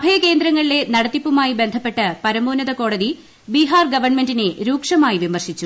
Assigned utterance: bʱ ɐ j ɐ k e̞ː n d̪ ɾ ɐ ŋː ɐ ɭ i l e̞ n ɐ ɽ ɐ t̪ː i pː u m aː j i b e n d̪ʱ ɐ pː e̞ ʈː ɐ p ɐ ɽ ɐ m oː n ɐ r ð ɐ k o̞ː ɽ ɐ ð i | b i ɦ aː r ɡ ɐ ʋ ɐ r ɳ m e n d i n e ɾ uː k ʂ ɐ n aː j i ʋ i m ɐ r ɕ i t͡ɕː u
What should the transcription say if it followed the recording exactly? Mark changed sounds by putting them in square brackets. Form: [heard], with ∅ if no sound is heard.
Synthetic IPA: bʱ ɐ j ɐ k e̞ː n d̪ ɾ ɐ ŋː ɐ ɭ i l e̞ n ɐ ɽ ɐ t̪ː i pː u m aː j i b e n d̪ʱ ɐ pː e̞ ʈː ɐ p ɐ [ɾ] ɐ m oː n ɐ [∅] ð ɐ k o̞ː ɽ ɐ ð i | b i ɦ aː r ɡ ɐ ʋ ɐ r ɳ m e n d i n e ɾ uː k ʂ ɐ [m] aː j i ʋ i m ɐ r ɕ i t͡ɕː u